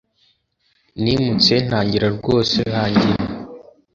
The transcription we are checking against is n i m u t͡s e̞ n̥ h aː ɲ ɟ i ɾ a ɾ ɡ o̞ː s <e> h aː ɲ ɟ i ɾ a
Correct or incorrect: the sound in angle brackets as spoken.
correct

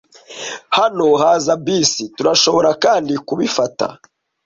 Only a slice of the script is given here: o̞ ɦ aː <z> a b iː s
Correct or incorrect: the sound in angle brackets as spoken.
correct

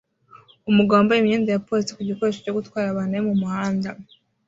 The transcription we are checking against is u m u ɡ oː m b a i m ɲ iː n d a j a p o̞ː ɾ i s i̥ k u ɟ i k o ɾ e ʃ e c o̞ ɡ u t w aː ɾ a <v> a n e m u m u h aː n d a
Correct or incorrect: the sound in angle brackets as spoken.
incorrect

